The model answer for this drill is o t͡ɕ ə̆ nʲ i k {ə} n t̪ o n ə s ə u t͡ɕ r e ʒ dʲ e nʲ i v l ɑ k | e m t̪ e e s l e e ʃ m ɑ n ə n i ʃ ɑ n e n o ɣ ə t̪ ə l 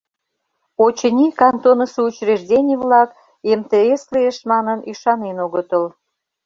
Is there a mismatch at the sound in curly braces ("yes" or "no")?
yes